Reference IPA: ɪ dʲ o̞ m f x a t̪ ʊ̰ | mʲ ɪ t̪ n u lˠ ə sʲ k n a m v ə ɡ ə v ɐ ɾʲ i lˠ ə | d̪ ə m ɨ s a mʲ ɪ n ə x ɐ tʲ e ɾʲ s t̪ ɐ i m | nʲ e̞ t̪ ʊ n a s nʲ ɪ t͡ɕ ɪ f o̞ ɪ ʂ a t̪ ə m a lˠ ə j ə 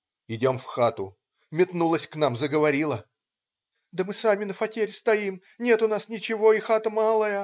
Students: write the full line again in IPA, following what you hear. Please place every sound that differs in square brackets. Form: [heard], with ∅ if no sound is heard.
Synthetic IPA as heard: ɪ dʲ o̞ m f x a t̪ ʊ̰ | mʲ ɪ t̪ n u lˠ ə sʲ k n a m [z] ə ɡ ə v ɐ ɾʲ i lˠ ə | d̪ ə m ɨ s a mʲ ɪ n ə [f] ɐ tʲ e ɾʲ s t̪ ɐ i m | nʲ e̞ t̪ ʊ n a s nʲ ɪ t͡ɕ ɪ [v] o̞ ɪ [x] a t̪ ə m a lˠ ə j ə